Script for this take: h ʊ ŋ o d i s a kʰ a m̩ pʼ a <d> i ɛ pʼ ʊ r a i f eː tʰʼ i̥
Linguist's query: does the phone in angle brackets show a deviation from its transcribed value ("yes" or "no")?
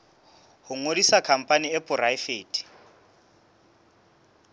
yes